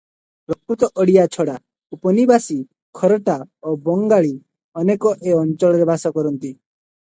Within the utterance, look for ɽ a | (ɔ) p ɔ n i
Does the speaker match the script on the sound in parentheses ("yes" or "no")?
no